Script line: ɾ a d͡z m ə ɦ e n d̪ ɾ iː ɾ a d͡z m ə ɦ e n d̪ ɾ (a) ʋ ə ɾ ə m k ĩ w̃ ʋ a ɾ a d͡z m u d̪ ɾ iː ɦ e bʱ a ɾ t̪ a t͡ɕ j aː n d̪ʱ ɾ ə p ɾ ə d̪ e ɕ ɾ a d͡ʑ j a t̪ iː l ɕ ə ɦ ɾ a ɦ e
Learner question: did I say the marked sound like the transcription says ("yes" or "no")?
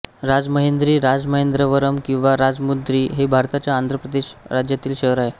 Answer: no